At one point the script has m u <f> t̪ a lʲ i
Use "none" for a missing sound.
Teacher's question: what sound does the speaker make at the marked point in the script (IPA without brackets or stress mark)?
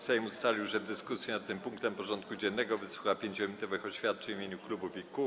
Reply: s